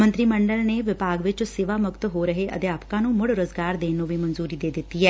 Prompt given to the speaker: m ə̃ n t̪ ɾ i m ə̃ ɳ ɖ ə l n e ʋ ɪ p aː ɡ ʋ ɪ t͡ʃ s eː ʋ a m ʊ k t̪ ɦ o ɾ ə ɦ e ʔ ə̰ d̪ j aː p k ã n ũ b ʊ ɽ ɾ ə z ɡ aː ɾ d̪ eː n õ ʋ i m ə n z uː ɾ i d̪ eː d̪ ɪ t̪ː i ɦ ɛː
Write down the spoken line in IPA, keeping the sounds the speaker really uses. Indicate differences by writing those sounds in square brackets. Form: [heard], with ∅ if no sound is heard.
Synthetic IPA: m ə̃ n t̪ ɾ i m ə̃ ɳ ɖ ə l n e ʋ ɪ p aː ɡ ʋ ɪ t͡ʃ s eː ʋ a m ʊ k t̪ ɦ o ɾ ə ɦ e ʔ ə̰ d̪ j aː p k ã n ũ [m] ʊ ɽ ɾ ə z ɡ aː ɾ d̪ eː n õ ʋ i m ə n z uː ɾ i d̪ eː d̪ ɪ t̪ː i ɦ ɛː